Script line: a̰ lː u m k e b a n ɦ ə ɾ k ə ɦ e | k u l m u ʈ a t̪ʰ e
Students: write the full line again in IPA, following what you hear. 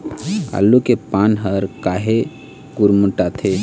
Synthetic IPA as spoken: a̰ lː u k e p a n ɦ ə ɾ k a ɦ e | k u ɾ m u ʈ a t̪ʰ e